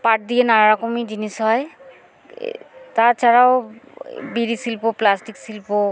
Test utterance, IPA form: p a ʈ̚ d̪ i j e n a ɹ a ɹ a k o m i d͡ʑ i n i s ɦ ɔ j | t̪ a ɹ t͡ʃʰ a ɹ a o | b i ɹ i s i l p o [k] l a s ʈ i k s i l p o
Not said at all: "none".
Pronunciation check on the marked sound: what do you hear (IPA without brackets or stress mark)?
p